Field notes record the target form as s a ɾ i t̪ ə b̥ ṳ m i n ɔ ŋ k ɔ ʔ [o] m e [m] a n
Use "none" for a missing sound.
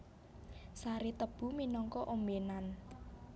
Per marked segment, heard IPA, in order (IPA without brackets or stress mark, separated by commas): o, n